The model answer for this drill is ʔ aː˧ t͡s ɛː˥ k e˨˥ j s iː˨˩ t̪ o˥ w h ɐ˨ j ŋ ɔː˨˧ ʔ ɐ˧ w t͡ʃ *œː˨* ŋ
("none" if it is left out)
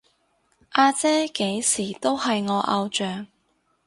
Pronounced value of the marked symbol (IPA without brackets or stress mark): œː˨